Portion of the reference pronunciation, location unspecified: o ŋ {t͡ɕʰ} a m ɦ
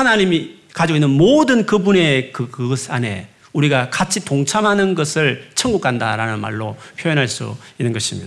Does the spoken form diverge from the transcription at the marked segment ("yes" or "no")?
no